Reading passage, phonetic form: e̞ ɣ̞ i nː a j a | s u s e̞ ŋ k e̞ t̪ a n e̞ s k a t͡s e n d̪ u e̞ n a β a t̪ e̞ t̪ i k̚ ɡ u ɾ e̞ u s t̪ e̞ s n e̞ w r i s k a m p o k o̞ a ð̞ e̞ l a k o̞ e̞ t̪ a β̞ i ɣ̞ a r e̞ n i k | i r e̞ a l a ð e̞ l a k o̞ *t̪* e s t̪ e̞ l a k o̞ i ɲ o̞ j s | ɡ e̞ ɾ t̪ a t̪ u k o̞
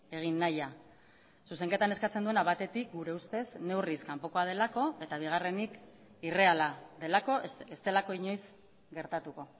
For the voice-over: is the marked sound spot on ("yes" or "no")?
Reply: no